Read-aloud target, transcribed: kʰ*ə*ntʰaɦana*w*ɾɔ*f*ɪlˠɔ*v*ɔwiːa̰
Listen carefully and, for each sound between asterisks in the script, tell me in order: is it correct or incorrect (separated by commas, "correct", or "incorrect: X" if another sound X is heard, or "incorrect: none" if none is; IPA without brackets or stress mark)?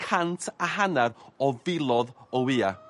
incorrect: a, incorrect: none, incorrect: v, incorrect: ð